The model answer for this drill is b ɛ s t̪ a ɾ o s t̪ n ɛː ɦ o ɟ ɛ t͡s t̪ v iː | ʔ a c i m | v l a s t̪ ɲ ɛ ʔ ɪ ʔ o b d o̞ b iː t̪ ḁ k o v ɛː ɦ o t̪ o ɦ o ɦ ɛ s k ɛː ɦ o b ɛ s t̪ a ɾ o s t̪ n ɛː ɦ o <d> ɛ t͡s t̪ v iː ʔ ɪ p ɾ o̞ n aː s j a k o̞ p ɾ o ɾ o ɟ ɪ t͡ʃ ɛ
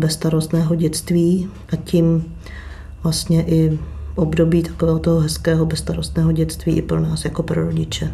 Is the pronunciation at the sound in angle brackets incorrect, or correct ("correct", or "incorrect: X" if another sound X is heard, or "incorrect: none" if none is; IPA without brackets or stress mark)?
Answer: incorrect: ɟ